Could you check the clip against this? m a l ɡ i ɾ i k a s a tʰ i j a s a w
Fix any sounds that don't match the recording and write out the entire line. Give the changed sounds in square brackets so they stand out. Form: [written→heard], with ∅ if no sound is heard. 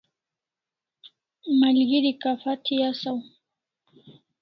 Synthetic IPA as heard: m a l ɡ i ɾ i k a [s→f] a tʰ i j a s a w